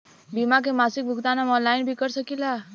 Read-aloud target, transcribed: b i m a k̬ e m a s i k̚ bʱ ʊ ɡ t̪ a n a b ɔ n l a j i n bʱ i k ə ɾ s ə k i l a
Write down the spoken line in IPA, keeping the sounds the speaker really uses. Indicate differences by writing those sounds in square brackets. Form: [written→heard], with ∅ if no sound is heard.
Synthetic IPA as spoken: b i m a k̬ e m a s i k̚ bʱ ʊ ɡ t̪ a n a [b→m] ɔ n l a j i n bʱ i k ə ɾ s ə k i l a